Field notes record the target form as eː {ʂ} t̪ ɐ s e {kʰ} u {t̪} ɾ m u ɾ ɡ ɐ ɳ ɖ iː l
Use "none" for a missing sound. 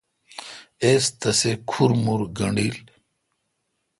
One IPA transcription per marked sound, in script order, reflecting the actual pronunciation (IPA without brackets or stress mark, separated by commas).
s, kʰ, none